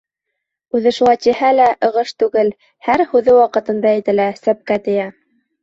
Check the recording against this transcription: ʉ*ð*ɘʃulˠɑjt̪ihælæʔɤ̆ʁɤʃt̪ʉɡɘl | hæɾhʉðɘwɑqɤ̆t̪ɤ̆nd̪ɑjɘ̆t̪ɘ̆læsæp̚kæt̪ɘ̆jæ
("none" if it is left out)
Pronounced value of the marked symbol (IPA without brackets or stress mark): ð